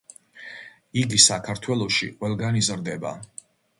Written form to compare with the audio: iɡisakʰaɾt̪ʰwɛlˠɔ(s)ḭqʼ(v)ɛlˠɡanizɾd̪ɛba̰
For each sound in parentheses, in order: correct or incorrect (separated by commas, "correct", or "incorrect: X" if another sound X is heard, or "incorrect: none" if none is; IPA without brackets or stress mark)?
incorrect: ʃ, incorrect: w